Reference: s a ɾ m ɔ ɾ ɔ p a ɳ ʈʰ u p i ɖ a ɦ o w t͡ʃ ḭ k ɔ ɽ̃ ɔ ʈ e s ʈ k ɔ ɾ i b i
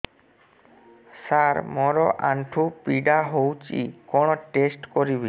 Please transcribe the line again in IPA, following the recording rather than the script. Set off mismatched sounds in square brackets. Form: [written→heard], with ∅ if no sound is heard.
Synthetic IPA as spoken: s a ɾ m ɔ ɾ ɔ [p→ʔ] a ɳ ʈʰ u p i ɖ a ɦ o w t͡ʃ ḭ k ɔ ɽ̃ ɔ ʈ e s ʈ k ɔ ɾ i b i